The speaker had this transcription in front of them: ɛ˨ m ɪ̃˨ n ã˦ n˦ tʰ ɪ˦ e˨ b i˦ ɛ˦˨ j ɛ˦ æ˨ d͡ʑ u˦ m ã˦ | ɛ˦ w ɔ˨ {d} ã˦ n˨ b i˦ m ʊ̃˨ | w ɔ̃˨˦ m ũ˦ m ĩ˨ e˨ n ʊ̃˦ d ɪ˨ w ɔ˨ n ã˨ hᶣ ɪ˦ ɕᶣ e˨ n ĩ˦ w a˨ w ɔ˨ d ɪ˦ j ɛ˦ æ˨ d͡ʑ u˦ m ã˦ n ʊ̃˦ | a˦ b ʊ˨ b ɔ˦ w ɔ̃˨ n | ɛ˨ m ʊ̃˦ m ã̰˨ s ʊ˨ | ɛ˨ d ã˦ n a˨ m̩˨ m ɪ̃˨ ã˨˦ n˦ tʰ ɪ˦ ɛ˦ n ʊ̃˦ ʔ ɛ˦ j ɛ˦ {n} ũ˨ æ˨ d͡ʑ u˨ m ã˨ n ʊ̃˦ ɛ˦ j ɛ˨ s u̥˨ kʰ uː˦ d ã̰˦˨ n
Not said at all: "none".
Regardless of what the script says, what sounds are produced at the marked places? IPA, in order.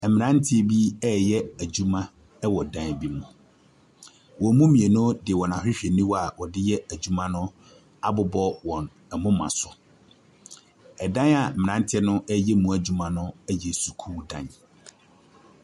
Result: d, m

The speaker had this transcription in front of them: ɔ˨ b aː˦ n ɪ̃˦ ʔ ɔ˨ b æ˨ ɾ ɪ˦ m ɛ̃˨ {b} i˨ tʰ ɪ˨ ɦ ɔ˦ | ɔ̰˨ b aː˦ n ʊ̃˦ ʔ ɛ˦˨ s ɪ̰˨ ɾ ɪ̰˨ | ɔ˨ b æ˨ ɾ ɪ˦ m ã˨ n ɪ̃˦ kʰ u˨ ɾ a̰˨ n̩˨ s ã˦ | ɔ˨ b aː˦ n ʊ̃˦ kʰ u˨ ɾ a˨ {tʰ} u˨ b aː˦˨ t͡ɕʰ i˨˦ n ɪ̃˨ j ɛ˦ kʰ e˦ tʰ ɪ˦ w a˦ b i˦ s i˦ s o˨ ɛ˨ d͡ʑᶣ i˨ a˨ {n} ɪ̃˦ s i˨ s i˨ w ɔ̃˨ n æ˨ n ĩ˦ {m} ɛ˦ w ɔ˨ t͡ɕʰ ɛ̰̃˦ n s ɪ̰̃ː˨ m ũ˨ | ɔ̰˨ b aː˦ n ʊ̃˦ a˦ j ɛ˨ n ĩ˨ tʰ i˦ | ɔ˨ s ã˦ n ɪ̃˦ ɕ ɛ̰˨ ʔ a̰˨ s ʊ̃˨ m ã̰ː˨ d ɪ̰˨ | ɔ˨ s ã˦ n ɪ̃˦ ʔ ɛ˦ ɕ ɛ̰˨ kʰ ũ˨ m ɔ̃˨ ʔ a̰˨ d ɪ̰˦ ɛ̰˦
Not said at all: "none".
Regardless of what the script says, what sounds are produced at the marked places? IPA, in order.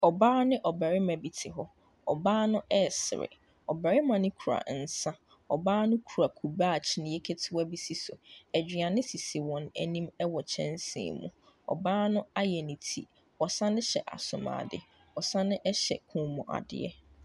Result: b, kʰ, n, m

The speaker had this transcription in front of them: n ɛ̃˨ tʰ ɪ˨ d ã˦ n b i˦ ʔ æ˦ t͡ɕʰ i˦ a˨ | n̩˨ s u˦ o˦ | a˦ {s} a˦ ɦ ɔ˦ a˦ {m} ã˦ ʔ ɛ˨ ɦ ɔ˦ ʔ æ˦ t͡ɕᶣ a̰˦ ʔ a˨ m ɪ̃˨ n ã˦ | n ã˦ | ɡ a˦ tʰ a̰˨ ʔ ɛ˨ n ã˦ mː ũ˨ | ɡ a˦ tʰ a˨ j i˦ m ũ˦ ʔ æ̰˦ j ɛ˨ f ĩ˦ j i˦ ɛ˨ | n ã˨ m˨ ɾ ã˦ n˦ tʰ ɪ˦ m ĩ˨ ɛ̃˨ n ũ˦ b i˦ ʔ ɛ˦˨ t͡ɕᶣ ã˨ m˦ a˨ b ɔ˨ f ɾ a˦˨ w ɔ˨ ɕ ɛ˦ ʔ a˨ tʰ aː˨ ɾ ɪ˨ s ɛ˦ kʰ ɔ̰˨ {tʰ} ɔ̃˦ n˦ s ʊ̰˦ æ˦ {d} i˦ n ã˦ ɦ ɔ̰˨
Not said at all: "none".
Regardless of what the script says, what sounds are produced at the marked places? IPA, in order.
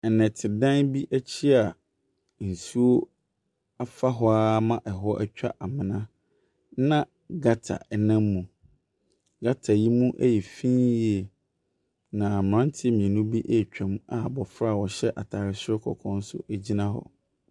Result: f, m, kʰ, d͡ʑ

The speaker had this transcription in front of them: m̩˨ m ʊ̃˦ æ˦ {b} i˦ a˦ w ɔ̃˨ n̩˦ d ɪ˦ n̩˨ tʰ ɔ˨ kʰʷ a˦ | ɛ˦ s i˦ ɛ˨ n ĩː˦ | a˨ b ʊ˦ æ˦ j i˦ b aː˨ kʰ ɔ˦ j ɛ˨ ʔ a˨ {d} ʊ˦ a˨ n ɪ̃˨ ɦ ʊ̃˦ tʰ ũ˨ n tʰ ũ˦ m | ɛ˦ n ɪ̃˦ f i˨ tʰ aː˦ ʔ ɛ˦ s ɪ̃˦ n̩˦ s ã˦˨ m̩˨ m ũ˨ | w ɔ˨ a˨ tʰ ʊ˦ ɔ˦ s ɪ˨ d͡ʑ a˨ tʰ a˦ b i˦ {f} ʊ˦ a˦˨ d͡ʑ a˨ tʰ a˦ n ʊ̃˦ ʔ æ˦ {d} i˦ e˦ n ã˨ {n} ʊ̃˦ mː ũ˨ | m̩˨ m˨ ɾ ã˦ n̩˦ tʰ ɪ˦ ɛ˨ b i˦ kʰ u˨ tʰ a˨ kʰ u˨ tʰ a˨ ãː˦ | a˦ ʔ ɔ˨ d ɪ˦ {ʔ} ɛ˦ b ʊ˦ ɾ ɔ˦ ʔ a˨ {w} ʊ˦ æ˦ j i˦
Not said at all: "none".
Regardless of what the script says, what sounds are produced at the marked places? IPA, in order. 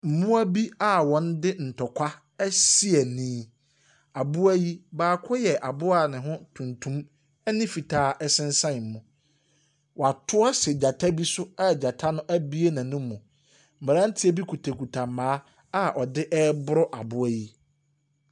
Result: b, b, s, b, n, ʔ, b

